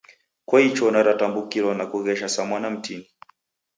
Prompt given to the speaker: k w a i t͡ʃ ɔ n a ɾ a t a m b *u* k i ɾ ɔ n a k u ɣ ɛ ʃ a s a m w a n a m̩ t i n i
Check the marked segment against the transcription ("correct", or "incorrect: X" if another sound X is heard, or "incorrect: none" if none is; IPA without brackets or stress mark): correct